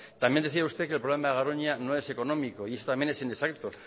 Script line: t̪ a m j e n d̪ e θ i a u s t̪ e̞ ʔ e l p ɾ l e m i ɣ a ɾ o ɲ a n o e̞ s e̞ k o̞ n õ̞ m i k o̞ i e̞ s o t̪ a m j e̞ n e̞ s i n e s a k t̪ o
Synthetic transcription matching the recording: t̪ a m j e n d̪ e θ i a u s t̪ e̞ k e l p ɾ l e m a ɣ a ɾ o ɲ a n o e̞ s e̞ k o̞ n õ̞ m i k o̞ i e̞ s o t̪ a m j e̞ n e̞ s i n e s a k t̪ o